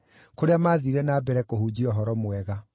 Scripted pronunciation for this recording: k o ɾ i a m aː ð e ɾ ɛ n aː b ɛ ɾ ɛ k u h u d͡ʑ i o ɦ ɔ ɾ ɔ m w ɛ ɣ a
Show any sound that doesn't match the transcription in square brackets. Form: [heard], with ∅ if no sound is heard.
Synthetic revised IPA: k o ɾ [e] a m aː ð [i] ɾ ɛ n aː b ɛ ɾ ɛ k [o] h u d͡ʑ i [ɔ] ɦ ɔ ɾ ɔ m w ɛ ɣ a

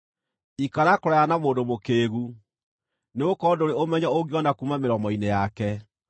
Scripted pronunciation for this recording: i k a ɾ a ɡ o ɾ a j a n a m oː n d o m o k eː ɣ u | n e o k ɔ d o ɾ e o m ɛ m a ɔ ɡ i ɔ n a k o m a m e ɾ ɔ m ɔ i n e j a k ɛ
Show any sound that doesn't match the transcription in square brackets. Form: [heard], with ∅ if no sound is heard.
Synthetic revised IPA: i k a ɾ a [k] o ɾ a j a n a m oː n d o m o k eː ɣ u | n e o k ɔ d o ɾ e o m ɛ [ɲ] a [o] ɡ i ɔ n a k [u] m a m e ɾ ɔ m ɔ i n e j a k ɛ

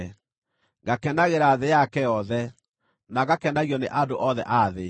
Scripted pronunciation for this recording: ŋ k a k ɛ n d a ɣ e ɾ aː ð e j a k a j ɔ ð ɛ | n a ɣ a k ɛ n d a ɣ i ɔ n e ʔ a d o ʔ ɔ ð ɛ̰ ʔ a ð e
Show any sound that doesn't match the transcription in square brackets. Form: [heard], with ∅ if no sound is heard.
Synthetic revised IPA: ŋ [ɡ] a k ɛ n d a ɣ e ɾ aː ð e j a k [ɛ] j ɔ ð ɛ | n a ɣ a k ɛ n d a ɣ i ɔ n e ʔ a d o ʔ ɔ ð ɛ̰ ʔ a ð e

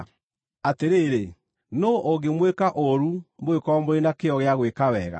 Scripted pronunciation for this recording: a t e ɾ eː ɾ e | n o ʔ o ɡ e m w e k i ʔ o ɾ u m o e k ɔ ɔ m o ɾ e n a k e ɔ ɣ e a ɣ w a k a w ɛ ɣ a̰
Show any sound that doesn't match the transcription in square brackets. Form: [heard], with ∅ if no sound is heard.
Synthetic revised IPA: a t e ɾ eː ɾ e | n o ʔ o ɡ e m w e k [a] ʔ o ɾ u m o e k ɔ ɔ m o ɾ e n a k e ɔ ɣ e a ɣ w [e] k a w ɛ ɣ a̰

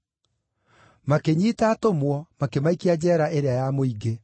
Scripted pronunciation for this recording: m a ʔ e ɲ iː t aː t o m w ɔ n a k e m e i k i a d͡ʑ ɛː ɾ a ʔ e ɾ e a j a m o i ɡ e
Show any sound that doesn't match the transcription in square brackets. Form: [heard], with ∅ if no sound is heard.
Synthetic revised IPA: m a [k] e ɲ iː t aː t o m w ɔ [m] a k e m [a] i k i a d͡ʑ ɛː ɾ a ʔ e ɾ e a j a m o i ɡ e

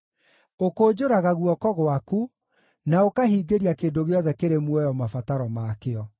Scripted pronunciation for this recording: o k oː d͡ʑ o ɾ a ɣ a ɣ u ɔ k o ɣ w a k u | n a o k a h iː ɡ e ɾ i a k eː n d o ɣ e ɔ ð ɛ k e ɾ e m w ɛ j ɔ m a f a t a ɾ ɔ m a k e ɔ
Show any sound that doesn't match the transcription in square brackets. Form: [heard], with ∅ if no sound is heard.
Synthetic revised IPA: o k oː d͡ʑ o ɾ a ɣ a ɣ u ɔ k [ɔ] ɣ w a k u | n a o k a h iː ɡ e ɾ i a k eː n d o ɣ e ɔ ð ɛ k e ɾ e m w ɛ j ɔ m a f a t a ɾ ɔ m a k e ɔ

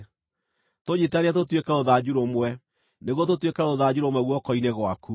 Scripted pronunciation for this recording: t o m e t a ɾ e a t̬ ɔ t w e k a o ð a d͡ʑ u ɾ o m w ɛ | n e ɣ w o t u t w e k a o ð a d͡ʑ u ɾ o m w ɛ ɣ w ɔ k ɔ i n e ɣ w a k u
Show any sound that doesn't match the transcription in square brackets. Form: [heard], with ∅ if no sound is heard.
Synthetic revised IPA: t o [ɲ] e t a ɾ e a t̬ [o] t w e k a o ð a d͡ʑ u ɾ o m w ɛ | n e ɣ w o t [o] t w e k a o ð a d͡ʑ u ɾ o m w ɛ ɣ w ɔ k ɔ i n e ɣ w a k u

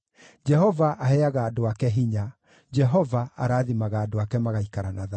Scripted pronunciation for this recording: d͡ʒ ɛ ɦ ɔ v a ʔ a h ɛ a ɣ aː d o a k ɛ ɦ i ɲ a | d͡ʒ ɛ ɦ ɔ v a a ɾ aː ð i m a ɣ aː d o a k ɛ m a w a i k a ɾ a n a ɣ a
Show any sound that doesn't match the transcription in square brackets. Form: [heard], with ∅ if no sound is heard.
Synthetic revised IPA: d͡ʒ ɛ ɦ ɔ v a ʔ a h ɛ a ɣ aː d o a k ɛ ɦ i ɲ a | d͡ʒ ɛ ɦ ɔ v a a ɾ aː ð i m a ɣ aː d o a k ɛ m a [ɣ] a i k a ɾ a n a [ð] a

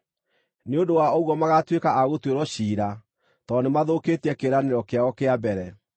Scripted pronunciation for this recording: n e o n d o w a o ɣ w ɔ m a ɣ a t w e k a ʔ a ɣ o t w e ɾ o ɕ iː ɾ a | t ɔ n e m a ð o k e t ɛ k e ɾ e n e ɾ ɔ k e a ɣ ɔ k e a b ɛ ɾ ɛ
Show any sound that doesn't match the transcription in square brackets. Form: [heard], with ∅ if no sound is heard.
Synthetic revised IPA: n e o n d o w a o ɣ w ɔ m a ɣ a t w e k a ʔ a ɣ o t w e ɾ [ɔ] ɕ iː ɾ a | t ɔ n e m a ð o k e t ɛ k e ɾ [a] n e ɾ ɔ k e a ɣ ɔ k e a b ɛ ɾ ɛ

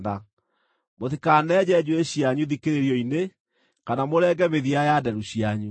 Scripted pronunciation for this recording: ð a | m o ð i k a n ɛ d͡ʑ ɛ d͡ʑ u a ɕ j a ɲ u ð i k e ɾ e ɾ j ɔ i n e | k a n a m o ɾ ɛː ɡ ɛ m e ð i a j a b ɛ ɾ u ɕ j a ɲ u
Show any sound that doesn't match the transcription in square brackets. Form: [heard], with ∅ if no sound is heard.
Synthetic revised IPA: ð a | m o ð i k a n ɛ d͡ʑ ɛ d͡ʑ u [e] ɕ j a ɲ u ð i k e ɾ e ɾ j ɔ i n e | k a n a m o ɾ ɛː ɡ ɛ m e ð i a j a [d] ɛ ɾ u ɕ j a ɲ u

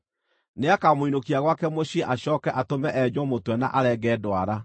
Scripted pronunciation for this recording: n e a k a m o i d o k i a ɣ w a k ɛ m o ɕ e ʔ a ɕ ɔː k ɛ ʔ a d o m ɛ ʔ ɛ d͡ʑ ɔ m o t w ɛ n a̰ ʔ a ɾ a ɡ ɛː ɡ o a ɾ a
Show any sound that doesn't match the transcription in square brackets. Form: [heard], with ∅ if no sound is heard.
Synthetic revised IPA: n e a k a m o i [n] o k i a ɣ w a k ɛ m o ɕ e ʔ a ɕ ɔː k ɛ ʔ a [t] o m ɛ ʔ ɛ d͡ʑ ɔ m o t w ɛ n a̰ ʔ a ɾ [ɛ] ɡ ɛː [d] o a ɾ a

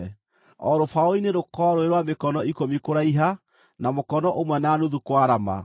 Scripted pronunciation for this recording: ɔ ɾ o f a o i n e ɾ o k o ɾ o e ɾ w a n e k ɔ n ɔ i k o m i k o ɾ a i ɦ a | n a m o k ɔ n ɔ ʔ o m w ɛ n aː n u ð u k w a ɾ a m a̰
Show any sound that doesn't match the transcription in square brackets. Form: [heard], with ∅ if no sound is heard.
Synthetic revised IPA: ɔ ɾ o f a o i n e ɾ o k [ɔ] ɾ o e ɾ w a [m] e k ɔ n ɔ i k o m i k o ɾ a i ɦ a | n a m o k ɔ n ɔ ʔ o m w ɛ n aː n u ð u k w a ɾ a m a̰

